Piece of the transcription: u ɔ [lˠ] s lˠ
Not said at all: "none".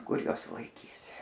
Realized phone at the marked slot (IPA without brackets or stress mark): none